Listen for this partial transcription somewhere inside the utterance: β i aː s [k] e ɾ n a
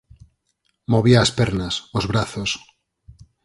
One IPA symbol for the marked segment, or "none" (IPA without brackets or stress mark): p